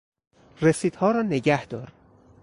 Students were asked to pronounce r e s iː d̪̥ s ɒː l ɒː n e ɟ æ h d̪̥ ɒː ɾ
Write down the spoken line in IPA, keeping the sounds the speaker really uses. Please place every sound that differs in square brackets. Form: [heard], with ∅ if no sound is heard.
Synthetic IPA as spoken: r e s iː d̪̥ [h] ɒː [ɾ] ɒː n e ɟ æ h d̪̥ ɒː ɾ